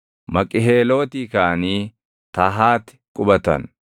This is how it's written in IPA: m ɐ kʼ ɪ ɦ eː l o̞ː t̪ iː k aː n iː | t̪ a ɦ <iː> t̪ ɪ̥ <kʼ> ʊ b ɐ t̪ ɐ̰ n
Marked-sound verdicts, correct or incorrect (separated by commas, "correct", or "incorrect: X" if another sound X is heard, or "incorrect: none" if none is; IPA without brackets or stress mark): incorrect: aː, correct